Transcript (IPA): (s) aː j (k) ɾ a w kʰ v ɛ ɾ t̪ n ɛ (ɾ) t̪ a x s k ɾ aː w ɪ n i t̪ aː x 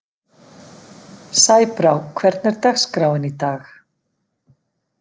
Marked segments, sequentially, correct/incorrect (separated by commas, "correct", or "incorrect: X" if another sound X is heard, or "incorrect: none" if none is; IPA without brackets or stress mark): correct, incorrect: p, correct